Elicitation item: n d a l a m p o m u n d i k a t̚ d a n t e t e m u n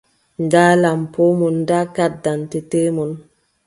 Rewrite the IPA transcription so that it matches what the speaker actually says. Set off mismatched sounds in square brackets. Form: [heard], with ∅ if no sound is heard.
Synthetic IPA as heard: n d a l a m p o m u n d [a] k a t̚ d a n t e t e m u n

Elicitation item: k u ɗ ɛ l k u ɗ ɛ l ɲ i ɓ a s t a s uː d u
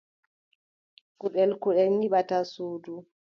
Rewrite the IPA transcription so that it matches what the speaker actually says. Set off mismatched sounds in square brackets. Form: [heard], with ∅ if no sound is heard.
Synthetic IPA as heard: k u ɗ ɛ l k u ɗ ɛ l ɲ i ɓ a [∅] t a s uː d u

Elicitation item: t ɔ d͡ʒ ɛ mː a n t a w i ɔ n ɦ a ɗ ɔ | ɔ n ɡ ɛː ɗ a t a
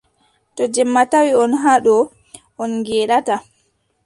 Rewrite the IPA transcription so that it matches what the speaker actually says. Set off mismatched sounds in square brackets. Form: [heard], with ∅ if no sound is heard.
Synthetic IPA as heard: t ɔ d͡ʒ ɛ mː a [∅] t a w i ɔ n ɦ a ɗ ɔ | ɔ n ɡ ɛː ɗ a t a

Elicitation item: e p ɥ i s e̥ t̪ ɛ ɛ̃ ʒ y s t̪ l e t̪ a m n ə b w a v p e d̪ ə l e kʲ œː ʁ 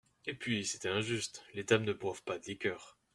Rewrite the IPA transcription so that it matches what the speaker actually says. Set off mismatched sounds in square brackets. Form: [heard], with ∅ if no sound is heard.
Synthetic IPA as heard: e p ɥ i s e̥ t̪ ɛ ɛ̃ ʒ y s t̪ l e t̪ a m n ə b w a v p [a] d̪ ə l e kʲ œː ʁ

